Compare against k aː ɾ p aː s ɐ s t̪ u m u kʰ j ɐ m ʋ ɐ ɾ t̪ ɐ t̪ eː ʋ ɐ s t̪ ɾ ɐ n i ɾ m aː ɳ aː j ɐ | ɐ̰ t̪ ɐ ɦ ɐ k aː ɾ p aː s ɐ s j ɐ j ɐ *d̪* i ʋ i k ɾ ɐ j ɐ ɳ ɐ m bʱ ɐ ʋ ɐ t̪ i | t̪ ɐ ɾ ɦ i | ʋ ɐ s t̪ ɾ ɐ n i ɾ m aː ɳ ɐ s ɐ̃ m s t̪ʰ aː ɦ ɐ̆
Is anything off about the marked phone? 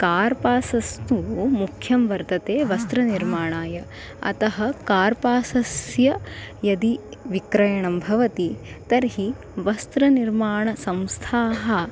no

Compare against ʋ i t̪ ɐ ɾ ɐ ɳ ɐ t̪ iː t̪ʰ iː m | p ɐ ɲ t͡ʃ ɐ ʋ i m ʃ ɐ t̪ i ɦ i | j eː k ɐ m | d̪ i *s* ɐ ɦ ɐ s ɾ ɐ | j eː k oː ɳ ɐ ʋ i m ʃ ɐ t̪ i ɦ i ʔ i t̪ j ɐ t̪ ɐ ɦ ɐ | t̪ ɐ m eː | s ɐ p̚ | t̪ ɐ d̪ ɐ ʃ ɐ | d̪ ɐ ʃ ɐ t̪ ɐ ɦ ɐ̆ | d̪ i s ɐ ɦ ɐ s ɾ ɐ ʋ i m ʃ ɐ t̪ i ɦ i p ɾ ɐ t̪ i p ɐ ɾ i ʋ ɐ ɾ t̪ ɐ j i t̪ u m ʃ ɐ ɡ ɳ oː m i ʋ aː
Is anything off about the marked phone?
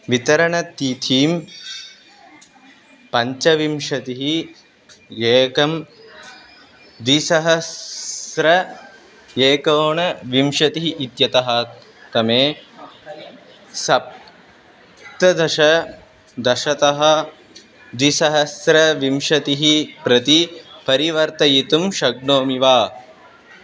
no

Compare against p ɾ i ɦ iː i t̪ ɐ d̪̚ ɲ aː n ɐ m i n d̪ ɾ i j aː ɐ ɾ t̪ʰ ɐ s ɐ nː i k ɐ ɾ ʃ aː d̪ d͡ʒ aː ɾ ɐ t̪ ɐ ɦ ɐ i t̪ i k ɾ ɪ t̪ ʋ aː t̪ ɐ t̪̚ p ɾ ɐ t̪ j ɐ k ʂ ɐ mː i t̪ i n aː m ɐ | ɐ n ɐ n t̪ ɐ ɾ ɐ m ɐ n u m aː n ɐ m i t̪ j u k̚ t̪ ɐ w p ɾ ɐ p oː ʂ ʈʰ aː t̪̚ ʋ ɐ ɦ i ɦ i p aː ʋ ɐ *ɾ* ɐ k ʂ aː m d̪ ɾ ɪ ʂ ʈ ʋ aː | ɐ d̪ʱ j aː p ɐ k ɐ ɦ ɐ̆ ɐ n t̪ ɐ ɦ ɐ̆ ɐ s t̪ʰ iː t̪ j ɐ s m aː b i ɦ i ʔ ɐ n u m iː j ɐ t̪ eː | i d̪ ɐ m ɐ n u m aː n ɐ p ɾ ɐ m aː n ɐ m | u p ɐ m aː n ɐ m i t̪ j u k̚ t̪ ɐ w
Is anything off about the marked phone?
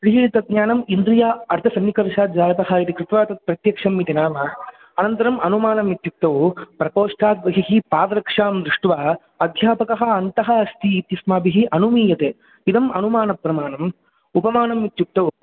no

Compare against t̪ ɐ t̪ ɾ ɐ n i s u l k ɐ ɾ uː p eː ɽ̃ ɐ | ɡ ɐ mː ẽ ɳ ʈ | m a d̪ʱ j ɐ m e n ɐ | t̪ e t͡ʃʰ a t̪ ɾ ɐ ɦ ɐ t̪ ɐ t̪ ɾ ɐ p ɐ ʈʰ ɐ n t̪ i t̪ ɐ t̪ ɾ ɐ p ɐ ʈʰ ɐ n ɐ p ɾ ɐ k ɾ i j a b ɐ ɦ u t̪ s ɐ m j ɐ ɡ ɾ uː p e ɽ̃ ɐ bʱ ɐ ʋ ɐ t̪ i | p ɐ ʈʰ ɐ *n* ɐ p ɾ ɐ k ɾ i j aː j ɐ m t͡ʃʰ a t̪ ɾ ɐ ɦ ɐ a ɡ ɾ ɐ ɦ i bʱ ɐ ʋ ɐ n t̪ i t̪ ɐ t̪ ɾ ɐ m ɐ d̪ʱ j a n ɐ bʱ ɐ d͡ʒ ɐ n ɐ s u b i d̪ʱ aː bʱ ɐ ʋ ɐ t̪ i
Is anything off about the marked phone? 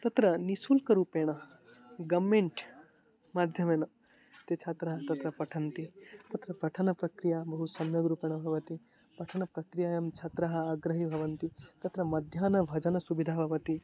no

